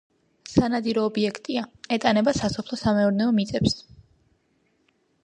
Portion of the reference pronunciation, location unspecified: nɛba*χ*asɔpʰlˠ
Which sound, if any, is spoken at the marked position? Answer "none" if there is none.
s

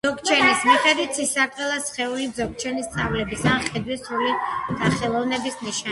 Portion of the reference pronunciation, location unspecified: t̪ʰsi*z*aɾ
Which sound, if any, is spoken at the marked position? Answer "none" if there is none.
s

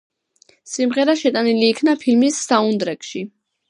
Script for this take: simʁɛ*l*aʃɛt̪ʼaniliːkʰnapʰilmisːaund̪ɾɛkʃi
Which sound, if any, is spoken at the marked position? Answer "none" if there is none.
ɾ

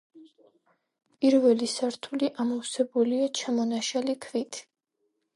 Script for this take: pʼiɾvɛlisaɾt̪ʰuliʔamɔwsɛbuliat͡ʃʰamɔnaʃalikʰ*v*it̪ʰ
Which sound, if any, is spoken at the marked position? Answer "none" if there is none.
v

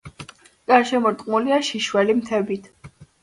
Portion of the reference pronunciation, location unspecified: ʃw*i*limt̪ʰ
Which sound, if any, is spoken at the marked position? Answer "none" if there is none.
ɛ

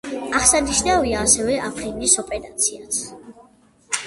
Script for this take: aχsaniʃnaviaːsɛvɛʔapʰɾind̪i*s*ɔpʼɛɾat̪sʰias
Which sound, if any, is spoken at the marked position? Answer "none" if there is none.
s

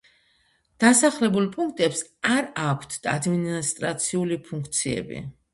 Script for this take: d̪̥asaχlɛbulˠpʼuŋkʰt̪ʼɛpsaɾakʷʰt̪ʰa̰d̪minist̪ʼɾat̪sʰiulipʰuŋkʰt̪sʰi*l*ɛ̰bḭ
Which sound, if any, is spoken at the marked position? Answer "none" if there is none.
none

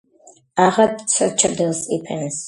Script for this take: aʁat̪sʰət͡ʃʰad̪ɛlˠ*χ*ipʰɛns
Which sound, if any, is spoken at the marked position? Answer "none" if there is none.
s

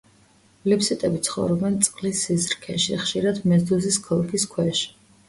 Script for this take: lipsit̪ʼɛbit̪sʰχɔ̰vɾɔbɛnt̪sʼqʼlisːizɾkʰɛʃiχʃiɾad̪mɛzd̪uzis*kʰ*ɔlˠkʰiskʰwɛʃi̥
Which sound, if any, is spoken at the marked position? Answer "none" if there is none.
kʰ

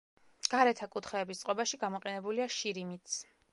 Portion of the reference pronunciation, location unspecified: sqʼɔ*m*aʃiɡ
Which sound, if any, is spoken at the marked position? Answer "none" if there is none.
b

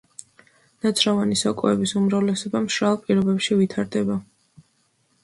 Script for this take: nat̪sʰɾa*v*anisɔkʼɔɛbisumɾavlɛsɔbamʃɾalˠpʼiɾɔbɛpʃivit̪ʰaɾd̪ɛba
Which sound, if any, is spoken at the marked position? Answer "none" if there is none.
v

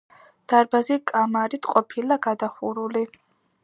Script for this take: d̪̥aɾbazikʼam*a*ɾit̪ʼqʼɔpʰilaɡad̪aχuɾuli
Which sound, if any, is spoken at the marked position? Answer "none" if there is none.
a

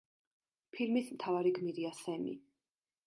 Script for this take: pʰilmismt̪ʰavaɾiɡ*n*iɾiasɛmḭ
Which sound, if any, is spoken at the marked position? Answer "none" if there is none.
m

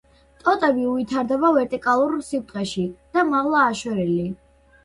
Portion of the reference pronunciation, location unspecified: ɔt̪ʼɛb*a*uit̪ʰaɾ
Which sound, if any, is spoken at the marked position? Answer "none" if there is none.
i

